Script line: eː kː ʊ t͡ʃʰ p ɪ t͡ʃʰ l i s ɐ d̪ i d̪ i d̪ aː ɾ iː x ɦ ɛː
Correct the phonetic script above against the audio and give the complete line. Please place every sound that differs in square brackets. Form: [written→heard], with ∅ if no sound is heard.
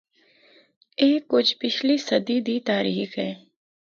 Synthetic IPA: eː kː ʊ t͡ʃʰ p ɪ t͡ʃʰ l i s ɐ d̪ i d̪ i [d̪→t̪] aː ɾ iː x ɦ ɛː